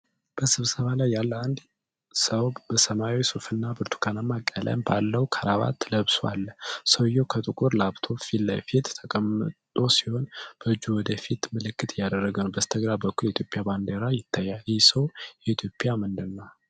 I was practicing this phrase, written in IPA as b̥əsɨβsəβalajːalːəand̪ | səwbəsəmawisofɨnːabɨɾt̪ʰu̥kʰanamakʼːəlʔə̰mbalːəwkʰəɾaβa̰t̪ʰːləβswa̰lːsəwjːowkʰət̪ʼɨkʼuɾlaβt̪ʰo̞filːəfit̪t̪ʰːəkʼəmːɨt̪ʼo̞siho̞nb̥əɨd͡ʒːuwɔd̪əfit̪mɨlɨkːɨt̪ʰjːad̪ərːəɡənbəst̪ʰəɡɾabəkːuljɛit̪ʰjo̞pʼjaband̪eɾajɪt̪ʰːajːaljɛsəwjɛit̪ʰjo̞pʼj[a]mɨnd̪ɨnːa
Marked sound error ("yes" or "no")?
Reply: no